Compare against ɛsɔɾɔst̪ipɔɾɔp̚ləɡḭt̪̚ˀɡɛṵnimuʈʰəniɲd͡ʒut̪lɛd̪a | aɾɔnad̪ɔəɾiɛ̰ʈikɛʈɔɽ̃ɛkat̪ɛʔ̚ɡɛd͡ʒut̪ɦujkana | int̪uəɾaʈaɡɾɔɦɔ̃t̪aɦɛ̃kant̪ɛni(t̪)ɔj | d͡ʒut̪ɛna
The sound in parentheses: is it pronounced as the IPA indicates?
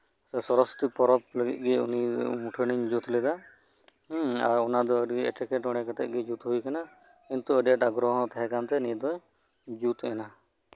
no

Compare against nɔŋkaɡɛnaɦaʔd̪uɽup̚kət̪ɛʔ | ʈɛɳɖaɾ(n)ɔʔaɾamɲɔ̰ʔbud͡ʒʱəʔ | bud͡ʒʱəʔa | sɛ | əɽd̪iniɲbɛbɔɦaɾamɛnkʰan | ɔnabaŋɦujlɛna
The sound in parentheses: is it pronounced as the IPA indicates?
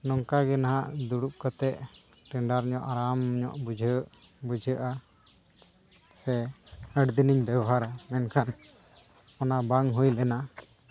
no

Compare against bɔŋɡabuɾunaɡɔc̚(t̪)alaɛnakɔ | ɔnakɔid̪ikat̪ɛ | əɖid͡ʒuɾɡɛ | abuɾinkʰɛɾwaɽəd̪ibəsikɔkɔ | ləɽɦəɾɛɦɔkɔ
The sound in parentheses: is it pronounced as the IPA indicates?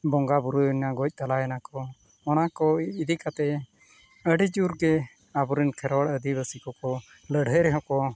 yes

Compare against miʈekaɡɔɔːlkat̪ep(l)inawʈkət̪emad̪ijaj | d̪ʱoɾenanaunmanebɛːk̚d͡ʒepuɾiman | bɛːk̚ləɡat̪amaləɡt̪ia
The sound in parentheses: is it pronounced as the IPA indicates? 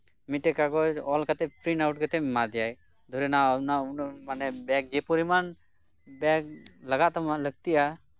no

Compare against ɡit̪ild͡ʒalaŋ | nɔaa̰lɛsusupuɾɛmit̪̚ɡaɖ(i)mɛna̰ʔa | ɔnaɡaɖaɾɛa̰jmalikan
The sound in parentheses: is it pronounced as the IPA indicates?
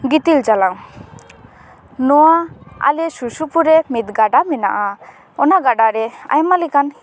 no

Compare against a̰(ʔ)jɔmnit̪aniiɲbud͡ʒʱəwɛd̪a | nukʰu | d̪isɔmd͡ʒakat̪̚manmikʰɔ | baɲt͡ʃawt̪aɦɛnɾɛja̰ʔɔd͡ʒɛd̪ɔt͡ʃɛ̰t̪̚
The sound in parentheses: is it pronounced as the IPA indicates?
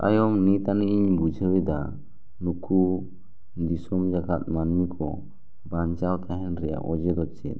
no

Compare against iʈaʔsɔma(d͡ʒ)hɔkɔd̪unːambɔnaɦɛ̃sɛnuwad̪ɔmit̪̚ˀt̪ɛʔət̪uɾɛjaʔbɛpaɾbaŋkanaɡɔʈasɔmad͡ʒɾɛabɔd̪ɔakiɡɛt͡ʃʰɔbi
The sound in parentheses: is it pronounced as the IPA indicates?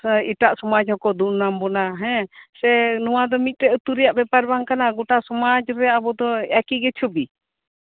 yes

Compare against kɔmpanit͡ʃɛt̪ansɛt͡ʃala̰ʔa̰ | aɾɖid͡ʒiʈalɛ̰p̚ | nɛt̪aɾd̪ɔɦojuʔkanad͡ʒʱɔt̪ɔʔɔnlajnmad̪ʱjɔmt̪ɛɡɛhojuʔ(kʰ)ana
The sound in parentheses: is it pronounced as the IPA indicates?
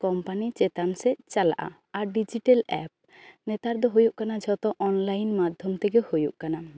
no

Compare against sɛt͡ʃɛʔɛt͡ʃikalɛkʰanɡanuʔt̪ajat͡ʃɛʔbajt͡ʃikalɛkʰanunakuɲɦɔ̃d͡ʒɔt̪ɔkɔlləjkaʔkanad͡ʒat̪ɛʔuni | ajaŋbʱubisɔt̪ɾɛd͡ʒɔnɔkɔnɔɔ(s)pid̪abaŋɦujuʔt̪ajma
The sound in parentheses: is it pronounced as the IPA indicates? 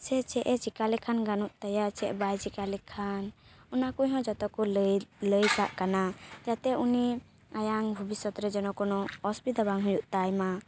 yes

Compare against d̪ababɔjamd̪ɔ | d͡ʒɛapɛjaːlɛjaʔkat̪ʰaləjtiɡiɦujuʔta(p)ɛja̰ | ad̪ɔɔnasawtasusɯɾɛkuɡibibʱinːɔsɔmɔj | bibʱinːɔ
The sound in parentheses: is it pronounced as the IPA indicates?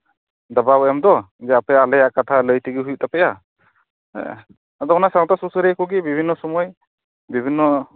yes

